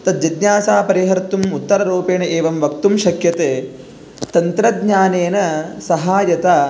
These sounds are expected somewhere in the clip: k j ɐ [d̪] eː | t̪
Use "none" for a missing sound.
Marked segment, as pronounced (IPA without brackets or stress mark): t̪